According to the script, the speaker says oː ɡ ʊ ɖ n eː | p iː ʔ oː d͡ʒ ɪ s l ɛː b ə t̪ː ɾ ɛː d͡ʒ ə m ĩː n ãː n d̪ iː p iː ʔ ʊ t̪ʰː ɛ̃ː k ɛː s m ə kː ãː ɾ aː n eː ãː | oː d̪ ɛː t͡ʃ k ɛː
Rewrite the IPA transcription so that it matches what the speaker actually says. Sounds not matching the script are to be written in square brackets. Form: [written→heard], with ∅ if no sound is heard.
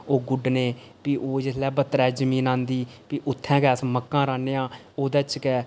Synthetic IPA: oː ɡ ʊ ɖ n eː | p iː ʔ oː d͡ʒ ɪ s l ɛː b ə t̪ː ɾ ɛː d͡ʒ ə m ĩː n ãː n d̪ iː p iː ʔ ʊ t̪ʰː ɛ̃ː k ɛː s m ə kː ãː ɾ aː n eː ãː | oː d̪ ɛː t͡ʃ k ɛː